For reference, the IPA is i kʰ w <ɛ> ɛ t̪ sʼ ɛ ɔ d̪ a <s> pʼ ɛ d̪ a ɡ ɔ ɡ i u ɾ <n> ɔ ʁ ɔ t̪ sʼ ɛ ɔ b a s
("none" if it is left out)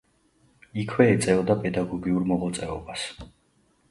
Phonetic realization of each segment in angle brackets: ɛ, none, m

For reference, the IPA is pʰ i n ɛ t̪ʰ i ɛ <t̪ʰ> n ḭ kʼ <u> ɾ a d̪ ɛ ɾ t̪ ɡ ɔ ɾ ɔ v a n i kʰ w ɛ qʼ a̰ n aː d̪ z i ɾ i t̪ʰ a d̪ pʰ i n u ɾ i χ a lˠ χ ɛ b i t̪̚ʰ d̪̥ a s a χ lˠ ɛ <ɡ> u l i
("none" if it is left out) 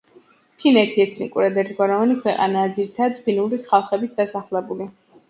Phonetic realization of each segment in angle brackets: t̪ʰ, u, b

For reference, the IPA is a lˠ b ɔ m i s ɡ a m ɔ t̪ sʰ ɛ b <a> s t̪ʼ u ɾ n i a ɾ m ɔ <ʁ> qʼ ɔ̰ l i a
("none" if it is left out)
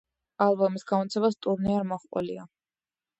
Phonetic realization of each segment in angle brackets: a, χ

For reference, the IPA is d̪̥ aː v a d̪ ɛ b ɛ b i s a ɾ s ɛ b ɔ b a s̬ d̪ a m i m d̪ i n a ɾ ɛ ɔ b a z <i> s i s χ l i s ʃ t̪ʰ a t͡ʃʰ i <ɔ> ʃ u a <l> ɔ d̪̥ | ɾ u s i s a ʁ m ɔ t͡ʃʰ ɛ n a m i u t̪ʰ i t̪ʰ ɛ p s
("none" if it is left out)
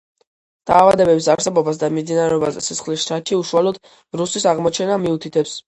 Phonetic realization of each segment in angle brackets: ɛ, u, l

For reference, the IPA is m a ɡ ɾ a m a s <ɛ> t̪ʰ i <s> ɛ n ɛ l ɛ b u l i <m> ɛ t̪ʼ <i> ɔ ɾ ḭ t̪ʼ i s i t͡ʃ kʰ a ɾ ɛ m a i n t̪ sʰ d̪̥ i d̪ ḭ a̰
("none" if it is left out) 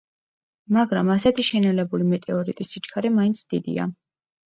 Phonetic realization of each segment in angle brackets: ɛ, ʃ, m, ɛ

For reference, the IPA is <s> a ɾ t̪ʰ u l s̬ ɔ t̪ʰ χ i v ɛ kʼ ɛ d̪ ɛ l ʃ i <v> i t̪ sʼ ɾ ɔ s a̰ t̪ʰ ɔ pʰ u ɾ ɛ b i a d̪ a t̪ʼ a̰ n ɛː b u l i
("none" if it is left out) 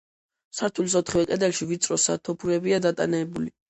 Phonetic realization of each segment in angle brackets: s, v

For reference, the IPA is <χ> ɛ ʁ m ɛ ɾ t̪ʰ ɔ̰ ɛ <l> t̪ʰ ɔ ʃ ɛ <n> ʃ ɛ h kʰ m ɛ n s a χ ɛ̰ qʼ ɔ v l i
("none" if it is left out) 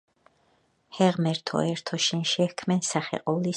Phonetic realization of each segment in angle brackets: h, ɾ, n

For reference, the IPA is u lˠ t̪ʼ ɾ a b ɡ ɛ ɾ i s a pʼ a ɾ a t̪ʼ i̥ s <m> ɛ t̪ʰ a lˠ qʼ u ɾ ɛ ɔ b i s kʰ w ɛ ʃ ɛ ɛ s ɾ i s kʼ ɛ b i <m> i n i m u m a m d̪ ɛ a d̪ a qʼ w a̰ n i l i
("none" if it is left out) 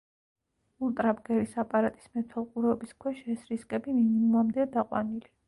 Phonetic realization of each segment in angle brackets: m, m

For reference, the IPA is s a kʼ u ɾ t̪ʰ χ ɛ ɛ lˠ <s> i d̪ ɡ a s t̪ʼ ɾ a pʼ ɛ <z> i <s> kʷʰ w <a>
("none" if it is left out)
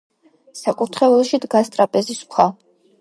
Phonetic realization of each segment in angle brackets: ʃ, z, s, a

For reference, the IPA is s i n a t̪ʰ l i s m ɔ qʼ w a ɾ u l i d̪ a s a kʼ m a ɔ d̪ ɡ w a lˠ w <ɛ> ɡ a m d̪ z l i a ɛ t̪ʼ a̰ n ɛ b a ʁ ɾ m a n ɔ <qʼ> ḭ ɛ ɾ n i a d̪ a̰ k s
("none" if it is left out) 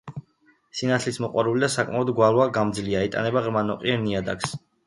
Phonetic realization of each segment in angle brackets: a, qʼ

